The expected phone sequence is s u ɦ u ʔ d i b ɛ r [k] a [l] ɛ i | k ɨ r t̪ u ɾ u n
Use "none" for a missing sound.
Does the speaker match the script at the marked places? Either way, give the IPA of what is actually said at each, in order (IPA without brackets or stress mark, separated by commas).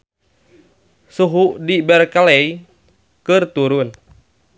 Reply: k, l